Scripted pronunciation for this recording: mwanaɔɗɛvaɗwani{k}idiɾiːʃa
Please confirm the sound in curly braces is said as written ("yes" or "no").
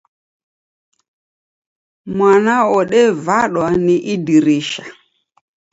no